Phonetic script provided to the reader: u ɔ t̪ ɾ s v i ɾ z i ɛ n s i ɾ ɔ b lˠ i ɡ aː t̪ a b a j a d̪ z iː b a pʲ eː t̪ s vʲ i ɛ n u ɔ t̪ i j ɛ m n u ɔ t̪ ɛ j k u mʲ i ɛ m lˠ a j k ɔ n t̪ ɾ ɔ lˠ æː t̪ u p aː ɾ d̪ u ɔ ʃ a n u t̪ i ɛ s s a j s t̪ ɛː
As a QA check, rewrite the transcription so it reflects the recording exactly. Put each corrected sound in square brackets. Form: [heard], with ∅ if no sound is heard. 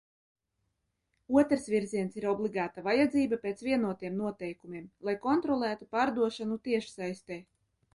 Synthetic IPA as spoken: u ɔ t̪ ɾ s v i ɾ z i ɛ n s i ɾ ɔ b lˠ i ɡ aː t̪ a [v] a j a d̪ z iː b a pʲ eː t̪ s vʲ i ɛ n u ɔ t̪ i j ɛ m n u ɔ t̪ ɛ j k u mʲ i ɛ m lˠ a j k ɔ n t̪ ɾ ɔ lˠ æː t̪ u p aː ɾ d̪ u ɔ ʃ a n u t̪ i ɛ [ʃ] s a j s t̪ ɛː